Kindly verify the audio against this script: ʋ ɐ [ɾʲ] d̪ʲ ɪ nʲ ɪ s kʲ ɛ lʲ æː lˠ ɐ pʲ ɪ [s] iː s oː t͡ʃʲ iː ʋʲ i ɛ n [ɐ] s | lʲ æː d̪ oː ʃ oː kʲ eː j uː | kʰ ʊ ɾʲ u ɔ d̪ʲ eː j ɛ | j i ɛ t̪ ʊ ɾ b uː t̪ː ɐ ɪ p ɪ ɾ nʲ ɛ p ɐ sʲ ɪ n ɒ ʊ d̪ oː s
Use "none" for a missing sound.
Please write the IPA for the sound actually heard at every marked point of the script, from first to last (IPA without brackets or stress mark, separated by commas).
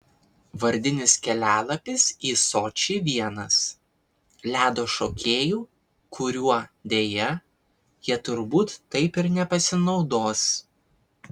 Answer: ɾʲ, s, ɐ